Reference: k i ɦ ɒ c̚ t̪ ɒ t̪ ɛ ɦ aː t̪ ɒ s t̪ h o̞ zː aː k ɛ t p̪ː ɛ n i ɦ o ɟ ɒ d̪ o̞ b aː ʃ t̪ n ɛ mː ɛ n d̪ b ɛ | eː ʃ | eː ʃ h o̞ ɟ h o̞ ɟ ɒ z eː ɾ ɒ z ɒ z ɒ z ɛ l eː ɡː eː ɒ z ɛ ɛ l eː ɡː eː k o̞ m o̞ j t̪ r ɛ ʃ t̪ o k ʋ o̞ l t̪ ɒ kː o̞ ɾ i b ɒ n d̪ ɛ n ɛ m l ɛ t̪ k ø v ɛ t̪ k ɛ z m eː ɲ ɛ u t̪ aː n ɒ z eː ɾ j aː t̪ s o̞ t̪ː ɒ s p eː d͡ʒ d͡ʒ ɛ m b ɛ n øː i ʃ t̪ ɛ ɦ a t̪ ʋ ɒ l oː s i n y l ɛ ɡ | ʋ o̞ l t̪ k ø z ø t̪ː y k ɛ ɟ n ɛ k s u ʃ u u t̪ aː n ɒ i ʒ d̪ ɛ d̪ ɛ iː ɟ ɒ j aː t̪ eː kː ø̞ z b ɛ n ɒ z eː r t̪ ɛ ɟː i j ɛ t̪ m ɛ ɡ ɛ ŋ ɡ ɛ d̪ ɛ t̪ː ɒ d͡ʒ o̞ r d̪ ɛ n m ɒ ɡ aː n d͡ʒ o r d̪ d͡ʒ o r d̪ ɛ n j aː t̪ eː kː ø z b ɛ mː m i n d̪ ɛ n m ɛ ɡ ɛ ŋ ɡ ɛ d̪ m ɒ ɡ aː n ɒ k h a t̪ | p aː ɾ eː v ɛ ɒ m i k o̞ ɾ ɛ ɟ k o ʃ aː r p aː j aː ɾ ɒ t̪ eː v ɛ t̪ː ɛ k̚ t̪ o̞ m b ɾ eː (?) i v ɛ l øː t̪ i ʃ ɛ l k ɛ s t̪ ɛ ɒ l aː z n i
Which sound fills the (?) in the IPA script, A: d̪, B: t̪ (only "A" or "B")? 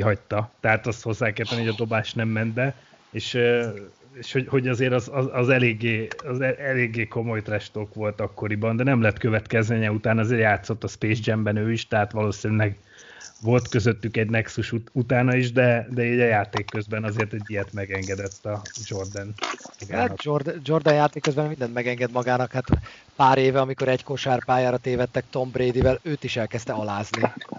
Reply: A